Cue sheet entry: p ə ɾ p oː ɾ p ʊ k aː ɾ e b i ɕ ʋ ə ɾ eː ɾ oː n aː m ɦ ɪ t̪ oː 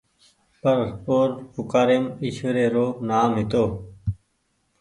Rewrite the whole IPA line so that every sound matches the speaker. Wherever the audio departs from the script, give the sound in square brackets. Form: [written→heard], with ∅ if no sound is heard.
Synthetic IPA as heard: p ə ɾ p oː ɾ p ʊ k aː ɾ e [b→m] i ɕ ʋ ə ɾ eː ɾ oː n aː m ɦ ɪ t̪ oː